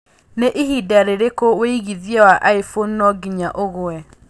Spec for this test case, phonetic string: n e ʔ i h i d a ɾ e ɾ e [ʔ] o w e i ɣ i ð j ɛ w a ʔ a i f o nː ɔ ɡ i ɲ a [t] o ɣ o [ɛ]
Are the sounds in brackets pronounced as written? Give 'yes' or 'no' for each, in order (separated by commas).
no, no, yes